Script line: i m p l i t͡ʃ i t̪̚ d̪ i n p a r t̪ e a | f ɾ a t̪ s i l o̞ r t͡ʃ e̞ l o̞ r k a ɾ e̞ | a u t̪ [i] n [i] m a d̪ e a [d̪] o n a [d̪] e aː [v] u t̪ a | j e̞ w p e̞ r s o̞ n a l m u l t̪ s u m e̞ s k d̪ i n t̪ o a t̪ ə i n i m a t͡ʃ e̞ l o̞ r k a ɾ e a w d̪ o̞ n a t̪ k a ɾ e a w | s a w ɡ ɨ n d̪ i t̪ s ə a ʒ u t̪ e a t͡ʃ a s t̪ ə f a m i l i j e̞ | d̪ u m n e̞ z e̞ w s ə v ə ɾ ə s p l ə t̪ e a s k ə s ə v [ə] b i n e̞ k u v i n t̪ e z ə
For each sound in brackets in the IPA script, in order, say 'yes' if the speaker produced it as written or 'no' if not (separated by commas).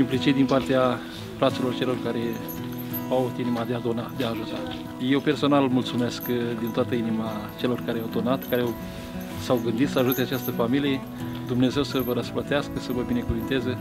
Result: yes, yes, yes, yes, no, yes